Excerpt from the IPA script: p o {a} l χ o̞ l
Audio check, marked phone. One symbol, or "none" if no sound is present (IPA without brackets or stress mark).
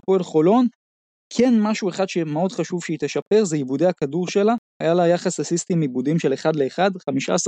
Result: e